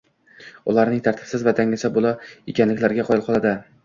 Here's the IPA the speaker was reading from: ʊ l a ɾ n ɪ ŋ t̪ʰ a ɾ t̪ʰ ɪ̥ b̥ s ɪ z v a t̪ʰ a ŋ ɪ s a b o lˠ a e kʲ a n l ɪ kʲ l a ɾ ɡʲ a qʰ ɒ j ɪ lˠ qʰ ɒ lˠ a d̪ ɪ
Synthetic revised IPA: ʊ l a ɾ n ɪ ŋ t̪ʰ a ɾ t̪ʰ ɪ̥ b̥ s ɪ z v a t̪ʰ a ŋ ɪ s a b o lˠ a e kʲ a n l ɪ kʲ l a ɾ ɡʲ a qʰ ɒ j ɪ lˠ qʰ ɒ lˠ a d̪ ɪ